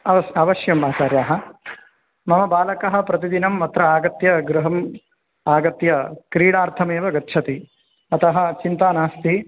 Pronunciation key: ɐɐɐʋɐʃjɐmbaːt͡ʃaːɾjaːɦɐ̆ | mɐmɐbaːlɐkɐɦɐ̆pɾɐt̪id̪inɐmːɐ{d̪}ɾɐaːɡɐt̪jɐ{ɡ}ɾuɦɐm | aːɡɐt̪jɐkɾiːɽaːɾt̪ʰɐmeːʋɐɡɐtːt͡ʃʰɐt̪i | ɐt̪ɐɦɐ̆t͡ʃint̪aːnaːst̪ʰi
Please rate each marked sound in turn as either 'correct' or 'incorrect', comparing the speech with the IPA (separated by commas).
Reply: incorrect, correct